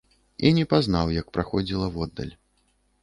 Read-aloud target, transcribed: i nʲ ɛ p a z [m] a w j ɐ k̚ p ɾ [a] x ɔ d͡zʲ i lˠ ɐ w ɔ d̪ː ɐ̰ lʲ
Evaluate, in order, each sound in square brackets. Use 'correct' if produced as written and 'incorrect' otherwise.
incorrect: n, correct

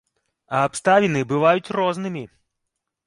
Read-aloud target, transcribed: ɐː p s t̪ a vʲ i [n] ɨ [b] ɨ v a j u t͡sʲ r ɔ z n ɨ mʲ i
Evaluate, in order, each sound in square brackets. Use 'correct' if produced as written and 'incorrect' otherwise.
correct, correct

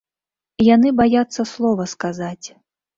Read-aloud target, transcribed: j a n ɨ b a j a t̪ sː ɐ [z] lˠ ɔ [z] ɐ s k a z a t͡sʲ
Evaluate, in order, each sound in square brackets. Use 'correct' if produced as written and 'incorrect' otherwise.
incorrect: s, incorrect: v

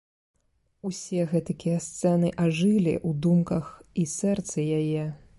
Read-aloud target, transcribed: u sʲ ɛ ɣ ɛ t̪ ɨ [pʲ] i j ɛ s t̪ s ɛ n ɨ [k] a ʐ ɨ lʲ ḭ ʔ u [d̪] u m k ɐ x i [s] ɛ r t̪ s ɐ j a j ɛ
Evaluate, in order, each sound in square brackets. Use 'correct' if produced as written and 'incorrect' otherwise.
incorrect: kʲ, incorrect: ʔ, correct, correct

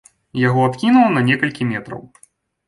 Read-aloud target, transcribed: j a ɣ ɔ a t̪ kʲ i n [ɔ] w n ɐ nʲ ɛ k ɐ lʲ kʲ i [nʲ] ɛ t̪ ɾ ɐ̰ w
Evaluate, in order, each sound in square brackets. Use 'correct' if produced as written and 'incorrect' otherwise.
incorrect: u, incorrect: mʲ

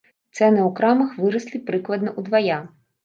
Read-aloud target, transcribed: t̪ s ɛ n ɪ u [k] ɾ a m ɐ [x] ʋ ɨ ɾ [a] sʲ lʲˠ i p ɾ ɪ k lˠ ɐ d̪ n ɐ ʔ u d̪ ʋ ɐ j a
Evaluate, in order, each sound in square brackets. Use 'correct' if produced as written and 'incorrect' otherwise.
correct, correct, incorrect: ɐ

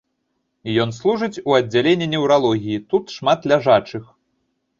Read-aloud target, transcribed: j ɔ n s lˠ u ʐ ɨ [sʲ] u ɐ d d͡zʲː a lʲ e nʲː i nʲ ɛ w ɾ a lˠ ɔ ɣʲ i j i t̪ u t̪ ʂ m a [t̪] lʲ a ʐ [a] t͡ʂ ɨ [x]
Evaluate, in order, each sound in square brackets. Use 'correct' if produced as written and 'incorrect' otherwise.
incorrect: t͡sʲ, correct, correct, correct

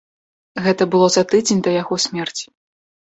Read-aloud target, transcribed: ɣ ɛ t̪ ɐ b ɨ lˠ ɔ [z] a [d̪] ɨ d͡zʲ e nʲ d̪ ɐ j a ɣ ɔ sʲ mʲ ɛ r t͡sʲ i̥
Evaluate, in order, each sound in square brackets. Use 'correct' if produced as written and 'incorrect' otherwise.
correct, incorrect: t̪

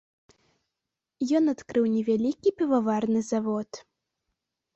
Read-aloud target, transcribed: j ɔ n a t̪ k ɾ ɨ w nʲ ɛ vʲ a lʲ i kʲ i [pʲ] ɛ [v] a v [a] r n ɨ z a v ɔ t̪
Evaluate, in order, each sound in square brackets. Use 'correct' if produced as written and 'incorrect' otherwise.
correct, correct, correct

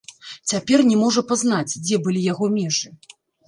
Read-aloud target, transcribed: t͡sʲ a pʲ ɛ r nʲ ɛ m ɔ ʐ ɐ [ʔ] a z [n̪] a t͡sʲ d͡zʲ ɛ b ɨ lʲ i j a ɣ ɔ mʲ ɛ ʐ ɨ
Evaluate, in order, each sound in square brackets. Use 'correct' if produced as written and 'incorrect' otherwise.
incorrect: p, correct

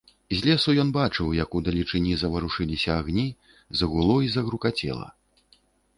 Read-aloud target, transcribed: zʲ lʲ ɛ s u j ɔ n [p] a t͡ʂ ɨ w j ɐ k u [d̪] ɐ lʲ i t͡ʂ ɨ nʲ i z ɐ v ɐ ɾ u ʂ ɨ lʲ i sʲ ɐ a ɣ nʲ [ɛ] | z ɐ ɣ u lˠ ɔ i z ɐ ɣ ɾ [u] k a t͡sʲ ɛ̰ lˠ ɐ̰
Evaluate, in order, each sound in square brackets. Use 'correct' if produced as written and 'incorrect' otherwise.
incorrect: b, correct, incorrect: i, correct

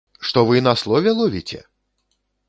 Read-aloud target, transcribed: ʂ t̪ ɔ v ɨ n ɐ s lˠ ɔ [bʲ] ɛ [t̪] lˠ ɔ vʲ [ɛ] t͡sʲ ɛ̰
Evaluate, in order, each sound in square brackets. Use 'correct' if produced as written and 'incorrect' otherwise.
incorrect: vʲ, incorrect: none, incorrect: i

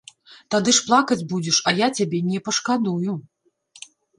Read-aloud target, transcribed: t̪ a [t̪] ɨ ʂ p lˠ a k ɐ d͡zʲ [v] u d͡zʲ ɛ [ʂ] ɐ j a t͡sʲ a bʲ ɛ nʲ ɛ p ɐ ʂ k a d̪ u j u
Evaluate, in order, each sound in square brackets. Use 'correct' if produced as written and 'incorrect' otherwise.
incorrect: d̪, incorrect: b, correct

